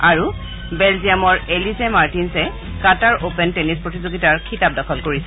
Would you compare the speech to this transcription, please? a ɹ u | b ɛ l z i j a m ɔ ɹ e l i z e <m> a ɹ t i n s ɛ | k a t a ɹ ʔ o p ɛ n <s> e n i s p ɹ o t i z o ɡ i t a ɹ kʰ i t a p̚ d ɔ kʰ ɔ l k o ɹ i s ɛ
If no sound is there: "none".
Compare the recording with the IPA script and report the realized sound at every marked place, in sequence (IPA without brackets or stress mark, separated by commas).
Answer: m, t